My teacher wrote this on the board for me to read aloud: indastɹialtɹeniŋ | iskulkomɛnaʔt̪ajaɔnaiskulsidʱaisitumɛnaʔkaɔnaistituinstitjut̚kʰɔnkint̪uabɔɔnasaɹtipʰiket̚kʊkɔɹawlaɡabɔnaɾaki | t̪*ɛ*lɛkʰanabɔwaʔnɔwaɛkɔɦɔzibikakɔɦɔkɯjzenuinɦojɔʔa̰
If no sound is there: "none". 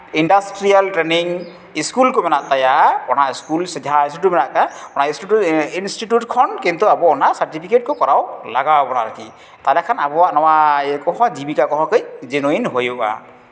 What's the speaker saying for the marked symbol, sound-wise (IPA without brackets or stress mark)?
a